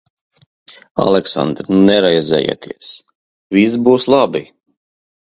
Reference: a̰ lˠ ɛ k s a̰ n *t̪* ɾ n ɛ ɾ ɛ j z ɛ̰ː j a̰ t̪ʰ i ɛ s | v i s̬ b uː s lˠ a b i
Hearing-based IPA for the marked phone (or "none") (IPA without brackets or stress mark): d̪